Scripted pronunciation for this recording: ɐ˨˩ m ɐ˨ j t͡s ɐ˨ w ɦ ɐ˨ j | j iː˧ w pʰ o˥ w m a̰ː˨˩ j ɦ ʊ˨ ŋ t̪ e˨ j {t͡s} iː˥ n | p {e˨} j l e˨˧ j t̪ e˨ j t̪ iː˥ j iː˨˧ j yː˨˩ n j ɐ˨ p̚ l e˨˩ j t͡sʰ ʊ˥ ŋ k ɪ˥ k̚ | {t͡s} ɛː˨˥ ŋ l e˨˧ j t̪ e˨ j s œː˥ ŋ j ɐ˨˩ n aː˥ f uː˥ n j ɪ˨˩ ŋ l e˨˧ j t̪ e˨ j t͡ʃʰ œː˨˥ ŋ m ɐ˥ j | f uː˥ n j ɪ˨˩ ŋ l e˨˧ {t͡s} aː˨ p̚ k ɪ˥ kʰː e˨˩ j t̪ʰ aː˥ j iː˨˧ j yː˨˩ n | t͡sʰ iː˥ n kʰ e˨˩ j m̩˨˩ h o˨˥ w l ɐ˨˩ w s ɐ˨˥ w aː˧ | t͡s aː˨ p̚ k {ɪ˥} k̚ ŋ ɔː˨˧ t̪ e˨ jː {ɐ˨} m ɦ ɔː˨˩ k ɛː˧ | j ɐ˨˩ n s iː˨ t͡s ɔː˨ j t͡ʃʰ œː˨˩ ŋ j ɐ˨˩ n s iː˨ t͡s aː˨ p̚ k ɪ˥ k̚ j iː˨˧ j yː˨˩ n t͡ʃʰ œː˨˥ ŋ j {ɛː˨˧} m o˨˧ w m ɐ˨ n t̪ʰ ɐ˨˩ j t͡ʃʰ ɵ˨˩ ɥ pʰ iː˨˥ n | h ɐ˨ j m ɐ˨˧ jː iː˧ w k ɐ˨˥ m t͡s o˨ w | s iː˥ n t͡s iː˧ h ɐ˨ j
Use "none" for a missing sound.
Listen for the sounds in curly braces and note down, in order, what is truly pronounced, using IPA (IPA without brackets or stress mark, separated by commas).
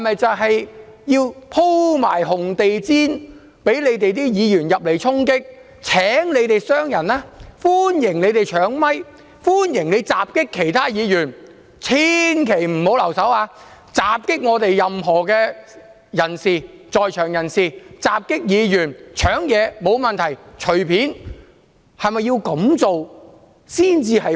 t͡s, e˨˥, t͡sʰ, t͡s, ɪ˥, ɐ˨, ɛː˨˧